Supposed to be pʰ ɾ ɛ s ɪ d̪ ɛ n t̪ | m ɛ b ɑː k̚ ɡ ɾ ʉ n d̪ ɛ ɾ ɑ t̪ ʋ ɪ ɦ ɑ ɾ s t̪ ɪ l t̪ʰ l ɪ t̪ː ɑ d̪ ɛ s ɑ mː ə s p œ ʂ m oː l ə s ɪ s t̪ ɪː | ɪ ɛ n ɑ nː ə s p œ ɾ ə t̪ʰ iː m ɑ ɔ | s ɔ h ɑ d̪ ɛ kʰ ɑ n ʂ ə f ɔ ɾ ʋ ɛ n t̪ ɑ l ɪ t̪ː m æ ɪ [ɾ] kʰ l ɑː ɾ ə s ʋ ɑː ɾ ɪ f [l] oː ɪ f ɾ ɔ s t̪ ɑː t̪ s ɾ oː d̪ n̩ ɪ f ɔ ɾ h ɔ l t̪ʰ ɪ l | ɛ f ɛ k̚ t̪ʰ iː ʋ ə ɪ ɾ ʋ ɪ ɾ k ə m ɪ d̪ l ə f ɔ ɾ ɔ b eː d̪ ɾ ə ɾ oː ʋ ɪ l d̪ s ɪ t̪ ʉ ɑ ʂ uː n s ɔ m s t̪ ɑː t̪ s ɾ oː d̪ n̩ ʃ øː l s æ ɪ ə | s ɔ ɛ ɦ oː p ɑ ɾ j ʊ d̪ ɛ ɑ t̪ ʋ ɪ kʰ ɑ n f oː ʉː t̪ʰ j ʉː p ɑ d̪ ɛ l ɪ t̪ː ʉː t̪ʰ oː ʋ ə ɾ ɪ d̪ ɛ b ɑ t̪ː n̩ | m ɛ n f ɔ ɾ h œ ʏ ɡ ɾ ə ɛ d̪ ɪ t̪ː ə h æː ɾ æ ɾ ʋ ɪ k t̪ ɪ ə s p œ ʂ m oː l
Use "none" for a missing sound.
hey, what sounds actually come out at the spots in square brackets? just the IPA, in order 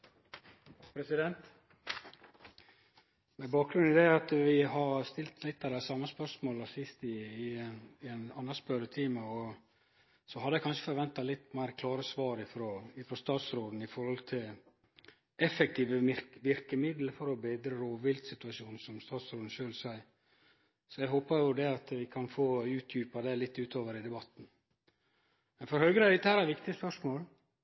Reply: ɾ, ɾ

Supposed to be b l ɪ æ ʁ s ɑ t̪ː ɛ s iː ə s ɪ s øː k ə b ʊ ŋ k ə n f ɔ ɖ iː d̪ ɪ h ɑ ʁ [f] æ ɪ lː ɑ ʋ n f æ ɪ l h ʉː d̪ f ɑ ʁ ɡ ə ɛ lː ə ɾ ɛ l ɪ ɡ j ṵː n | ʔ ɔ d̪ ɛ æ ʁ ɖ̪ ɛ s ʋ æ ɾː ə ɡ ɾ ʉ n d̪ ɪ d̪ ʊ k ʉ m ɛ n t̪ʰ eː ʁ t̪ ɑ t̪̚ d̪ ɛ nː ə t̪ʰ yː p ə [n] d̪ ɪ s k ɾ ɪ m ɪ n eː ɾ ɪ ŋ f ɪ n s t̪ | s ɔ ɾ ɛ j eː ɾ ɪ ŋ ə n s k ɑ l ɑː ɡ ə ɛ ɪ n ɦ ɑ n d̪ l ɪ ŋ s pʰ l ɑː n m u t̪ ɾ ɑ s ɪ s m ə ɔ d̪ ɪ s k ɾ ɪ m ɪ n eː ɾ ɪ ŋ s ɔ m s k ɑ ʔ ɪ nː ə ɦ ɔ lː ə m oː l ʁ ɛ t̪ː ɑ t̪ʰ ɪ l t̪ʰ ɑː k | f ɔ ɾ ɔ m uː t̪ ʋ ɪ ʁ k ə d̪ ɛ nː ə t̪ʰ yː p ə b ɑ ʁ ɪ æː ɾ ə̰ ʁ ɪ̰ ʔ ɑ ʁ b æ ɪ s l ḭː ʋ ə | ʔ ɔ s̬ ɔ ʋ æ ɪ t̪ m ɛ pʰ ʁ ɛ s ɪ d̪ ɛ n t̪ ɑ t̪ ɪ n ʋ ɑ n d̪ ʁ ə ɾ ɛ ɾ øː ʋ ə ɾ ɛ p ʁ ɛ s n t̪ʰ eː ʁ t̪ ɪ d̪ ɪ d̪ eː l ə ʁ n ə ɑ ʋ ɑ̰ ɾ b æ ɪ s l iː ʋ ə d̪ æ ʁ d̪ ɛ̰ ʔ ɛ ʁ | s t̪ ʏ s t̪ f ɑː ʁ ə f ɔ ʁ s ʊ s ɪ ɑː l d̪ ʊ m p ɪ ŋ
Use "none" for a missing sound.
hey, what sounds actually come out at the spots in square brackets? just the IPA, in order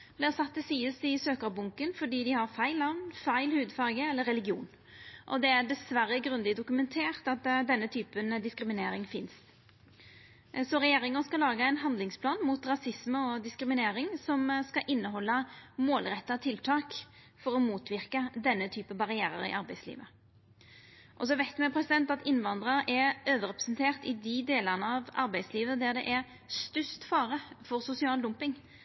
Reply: f, n

